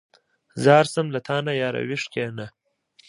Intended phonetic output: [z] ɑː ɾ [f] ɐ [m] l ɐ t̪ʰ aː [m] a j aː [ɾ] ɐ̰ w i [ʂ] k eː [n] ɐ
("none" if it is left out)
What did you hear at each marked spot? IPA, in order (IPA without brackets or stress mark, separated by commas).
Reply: z, s, m, n, ɾ, ʂ, n